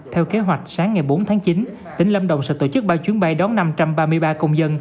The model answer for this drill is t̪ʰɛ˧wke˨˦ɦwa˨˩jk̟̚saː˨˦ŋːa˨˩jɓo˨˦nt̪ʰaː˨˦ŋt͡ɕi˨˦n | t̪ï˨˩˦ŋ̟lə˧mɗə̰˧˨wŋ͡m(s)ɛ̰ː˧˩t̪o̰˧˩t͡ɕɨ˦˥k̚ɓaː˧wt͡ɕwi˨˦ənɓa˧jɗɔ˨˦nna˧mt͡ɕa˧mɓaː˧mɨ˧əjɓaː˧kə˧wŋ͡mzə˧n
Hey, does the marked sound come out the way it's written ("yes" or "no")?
yes